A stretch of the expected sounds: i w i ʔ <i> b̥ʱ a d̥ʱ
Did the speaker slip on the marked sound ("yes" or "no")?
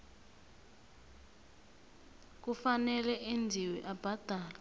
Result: yes